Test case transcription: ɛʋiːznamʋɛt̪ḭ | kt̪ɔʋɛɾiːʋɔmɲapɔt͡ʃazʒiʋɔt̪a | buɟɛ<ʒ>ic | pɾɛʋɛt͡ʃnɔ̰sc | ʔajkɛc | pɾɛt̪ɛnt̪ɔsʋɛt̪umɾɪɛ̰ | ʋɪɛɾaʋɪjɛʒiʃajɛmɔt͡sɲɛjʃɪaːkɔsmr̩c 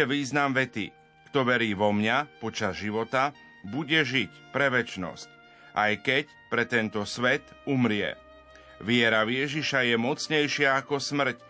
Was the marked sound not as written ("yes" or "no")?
no